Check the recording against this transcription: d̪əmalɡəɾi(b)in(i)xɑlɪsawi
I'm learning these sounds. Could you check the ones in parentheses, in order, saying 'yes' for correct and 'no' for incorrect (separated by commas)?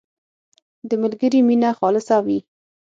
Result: no, no